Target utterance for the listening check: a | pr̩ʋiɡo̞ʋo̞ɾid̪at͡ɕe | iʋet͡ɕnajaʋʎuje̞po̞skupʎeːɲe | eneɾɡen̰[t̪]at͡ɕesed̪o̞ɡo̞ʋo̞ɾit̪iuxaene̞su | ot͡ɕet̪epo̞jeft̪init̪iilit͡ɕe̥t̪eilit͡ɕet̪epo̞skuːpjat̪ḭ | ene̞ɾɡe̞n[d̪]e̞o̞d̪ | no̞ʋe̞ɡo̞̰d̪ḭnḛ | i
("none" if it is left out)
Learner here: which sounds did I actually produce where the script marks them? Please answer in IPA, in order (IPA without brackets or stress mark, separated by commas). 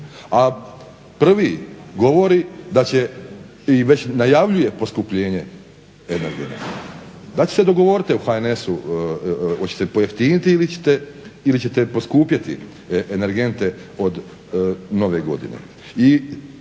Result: d̪, t̪